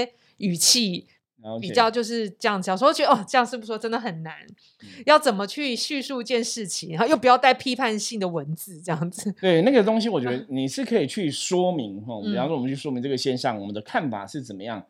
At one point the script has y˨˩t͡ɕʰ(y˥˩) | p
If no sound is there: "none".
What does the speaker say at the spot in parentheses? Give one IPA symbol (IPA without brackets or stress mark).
i˥˩